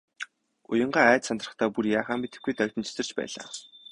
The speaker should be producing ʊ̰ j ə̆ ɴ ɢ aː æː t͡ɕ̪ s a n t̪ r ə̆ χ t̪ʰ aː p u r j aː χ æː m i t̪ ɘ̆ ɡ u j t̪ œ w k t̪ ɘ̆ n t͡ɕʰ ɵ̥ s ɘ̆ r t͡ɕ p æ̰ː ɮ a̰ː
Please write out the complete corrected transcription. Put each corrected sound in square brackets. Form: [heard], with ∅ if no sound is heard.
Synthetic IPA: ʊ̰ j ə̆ ɴ ɢ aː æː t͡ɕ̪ s a n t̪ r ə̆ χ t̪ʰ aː p u r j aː χ [aː] m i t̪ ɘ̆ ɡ u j t̪ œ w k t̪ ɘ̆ n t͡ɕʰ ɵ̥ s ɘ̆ r t͡ɕ p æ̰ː ɮ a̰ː